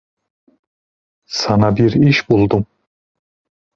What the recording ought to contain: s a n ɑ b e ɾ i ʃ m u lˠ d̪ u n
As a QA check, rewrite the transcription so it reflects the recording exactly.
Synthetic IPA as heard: s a n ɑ b i ɾ i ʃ b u lˠ d̪ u m